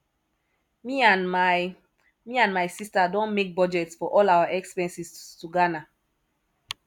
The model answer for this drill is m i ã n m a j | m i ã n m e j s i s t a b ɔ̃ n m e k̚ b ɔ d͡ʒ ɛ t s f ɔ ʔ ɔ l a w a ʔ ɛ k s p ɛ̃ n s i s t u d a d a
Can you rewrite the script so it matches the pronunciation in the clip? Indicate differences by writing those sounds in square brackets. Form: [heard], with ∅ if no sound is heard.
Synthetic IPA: m i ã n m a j | m i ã n m [a] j s i s t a [d] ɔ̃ n m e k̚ b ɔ d͡ʒ ɛ t s f ɔ ʔ ɔ l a w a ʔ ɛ k s p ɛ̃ n s i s t u [ɡ] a [n] a

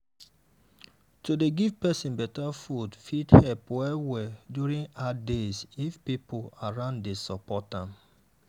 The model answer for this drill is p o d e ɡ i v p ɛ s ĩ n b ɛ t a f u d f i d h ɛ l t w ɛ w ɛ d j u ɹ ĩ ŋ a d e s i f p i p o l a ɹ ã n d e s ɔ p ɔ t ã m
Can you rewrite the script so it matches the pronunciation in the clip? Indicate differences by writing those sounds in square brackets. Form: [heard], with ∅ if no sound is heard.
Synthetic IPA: [t] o d e ɡ i v p ɛ s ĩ n b ɛ t a f u d f i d h ɛ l [p] w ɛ w ɛ d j u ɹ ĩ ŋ a d e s i f p i p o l a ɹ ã n d e s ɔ p ɔ t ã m

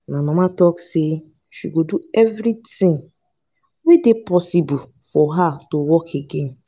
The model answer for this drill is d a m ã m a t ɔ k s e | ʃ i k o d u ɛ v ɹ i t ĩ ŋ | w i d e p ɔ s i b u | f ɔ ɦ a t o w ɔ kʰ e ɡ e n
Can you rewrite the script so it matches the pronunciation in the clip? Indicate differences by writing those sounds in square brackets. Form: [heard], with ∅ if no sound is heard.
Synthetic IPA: [n] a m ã m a t ɔ k s e | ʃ i [ɡ] o d u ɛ v [ɾ] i t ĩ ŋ | w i d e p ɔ s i b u | f ɔ ɦ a t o w ɔ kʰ e ɡ e n

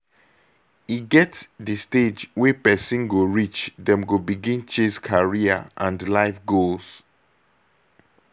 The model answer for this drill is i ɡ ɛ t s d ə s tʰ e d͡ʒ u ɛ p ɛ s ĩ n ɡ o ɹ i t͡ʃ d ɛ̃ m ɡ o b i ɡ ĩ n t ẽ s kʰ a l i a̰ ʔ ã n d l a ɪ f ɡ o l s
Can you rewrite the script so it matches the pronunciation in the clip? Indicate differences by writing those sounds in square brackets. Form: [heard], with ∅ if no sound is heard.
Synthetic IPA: i ɡ ɛ t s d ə s [t] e d͡ʒ [w] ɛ p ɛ s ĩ n ɡ o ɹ i t͡ʃ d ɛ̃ m ɡ o b i ɡ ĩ n [t͡ʃ] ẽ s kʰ a [ɹ] i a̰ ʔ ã n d l a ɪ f ɡ o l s

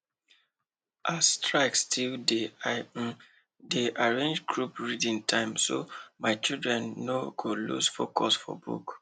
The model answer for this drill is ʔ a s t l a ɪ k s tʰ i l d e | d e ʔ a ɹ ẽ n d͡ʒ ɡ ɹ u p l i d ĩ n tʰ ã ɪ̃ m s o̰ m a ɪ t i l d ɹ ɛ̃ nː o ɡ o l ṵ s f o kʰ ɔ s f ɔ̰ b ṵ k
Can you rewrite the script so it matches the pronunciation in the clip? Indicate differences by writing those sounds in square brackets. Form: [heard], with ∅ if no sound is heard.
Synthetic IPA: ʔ a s t [ɹ] a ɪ k s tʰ i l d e | d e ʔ a ɹ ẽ n d͡ʒ ɡ ɹ u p [ɹ] i d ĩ n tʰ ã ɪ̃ m s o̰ m a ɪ [t͡ʃ] i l d ɹ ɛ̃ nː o ɡ o l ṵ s f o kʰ ɔ s f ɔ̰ b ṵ k

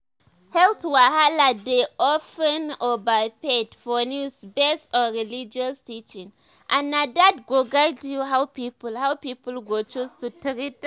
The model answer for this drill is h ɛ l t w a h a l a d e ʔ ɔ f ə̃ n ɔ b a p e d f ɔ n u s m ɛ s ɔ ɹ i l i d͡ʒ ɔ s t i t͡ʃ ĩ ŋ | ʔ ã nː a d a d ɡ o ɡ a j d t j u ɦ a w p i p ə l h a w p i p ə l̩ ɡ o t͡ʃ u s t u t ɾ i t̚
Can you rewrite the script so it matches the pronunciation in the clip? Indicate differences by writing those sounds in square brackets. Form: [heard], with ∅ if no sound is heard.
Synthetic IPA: h ɛ l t w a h a l a d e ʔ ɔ f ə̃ n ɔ b a p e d f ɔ n u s [b] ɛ s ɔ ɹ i l i d͡ʒ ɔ s t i t͡ʃ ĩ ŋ | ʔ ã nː a d a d ɡ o ɡ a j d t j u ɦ a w p i p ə l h a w p i p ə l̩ ɡ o t͡ʃ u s t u t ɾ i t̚

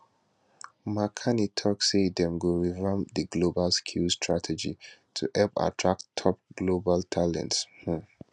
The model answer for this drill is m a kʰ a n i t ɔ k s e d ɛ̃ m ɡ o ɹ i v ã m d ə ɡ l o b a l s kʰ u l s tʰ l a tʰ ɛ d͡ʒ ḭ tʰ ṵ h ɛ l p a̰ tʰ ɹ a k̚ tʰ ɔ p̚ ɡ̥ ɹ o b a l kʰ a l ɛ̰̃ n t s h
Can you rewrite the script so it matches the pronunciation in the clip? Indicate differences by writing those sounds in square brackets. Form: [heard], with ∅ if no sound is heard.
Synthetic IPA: m a kʰ a n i [tʰ] ɔ k s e d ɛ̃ m ɡ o ɹ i v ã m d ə ɡ l o b a l s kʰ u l s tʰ [ɹ] a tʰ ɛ d͡ʒ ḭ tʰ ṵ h ɛ l p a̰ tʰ ɹ a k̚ tʰ ɔ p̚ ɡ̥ [l] o b a l [tʰ] a l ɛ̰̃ n t s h

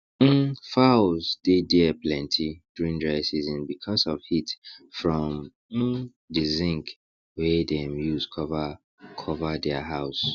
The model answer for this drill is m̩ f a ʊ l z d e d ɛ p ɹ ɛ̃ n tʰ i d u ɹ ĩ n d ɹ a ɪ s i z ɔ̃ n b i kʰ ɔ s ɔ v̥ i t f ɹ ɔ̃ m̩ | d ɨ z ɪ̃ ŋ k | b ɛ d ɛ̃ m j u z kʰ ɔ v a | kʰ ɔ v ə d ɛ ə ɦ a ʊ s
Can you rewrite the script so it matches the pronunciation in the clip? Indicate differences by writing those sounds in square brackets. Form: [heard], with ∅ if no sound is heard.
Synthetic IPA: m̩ f a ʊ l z d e d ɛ p [l] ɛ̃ n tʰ i d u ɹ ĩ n d ɹ a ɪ s i z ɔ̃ n b i kʰ ɔ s ɔ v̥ i t f ɹ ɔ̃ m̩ | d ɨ z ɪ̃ ŋ k | [w] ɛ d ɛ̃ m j u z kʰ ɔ v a | kʰ ɔ v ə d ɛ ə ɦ a ʊ s

